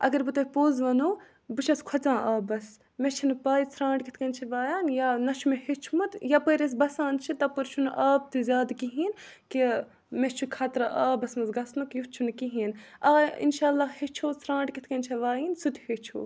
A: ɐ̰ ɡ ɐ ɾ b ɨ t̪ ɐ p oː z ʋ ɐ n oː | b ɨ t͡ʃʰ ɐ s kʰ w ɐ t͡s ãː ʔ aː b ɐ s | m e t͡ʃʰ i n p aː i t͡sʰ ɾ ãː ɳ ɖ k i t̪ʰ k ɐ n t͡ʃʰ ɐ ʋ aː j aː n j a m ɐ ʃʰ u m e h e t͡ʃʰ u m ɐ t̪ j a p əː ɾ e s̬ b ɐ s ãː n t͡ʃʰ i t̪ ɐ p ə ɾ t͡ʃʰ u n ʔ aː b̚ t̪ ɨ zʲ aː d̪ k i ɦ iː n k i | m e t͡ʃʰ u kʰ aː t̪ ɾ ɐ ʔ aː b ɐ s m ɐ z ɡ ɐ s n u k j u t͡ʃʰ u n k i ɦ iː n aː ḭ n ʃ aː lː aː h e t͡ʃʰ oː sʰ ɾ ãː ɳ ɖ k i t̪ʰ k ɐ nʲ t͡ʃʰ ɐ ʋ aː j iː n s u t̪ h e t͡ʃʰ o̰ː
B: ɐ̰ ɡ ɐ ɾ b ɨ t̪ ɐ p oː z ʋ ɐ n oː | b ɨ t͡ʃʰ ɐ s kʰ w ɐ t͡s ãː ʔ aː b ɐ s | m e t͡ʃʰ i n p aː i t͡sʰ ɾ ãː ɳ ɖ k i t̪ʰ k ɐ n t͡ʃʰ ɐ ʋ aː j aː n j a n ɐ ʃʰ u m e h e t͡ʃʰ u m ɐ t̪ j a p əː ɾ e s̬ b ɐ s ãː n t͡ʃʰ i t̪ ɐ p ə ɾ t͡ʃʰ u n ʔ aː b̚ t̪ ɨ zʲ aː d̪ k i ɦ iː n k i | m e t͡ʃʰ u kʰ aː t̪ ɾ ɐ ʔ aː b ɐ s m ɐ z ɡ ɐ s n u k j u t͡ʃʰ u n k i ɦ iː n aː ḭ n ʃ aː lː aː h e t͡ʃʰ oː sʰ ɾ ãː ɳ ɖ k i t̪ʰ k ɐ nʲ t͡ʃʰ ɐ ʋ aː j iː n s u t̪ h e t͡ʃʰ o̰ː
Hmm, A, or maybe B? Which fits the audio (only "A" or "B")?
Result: B